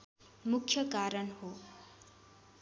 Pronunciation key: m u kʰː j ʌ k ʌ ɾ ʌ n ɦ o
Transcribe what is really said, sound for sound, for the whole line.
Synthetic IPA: m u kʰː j ʌ k a ɾ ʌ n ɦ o